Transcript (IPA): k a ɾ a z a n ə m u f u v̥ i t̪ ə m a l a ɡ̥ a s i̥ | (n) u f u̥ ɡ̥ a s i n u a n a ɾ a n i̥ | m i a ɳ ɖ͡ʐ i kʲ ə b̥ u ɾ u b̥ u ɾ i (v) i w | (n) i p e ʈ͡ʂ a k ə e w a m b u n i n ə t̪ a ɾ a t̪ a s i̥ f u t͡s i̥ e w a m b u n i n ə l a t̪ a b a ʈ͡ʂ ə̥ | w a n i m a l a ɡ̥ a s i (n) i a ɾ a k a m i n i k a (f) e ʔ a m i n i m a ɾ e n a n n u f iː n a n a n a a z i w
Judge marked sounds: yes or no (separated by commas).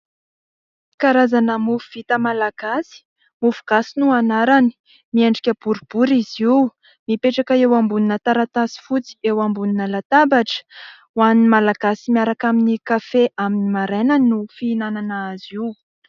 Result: no, no, no, no, yes